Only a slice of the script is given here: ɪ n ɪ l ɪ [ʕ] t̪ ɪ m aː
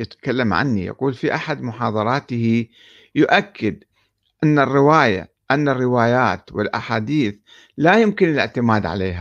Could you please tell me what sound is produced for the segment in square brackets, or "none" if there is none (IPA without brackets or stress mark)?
ʕ